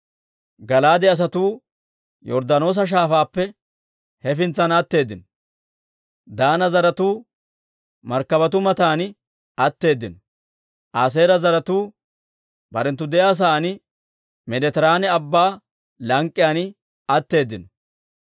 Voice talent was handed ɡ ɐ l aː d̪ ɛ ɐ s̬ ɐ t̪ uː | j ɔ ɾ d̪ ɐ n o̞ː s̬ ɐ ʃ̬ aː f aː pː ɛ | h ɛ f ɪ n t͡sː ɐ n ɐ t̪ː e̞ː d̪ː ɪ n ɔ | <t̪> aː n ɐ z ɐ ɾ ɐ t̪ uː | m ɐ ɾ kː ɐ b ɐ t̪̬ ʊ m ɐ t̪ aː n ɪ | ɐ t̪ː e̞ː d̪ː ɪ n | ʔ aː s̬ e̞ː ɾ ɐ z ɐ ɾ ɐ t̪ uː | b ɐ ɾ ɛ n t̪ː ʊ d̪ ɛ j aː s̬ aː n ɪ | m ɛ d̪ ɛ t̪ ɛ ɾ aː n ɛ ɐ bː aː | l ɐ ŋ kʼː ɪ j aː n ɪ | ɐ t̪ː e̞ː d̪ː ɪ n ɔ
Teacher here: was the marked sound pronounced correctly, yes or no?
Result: no